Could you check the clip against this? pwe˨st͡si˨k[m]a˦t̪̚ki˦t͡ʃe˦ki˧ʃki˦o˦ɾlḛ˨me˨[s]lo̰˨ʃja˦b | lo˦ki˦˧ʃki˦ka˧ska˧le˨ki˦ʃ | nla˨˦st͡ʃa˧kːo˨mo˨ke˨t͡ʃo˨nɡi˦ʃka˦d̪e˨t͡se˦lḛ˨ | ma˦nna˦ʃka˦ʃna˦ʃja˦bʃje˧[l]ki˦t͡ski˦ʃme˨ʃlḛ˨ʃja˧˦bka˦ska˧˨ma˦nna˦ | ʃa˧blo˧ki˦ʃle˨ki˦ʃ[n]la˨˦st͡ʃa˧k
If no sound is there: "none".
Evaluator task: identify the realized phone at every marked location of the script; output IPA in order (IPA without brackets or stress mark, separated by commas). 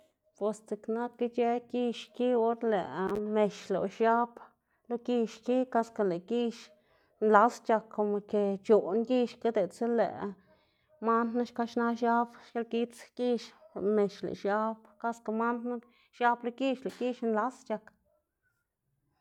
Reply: n, ʃ, l, n